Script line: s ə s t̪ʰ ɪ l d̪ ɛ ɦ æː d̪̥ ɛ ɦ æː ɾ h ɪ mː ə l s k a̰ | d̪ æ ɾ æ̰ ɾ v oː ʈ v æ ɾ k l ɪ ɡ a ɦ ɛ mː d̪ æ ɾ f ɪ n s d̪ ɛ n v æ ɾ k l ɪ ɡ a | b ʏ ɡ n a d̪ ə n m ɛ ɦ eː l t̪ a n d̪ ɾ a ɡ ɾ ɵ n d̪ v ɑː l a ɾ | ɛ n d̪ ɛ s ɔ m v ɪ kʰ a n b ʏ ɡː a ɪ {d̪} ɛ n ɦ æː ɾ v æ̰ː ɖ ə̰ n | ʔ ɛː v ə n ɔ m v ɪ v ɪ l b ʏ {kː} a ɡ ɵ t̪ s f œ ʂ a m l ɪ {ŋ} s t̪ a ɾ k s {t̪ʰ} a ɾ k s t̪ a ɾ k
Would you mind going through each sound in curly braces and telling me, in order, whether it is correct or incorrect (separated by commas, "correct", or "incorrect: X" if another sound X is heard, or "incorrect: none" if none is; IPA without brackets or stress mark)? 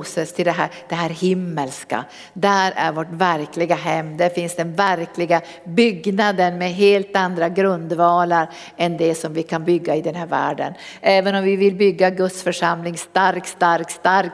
correct, incorrect: ɡː, correct, incorrect: t̪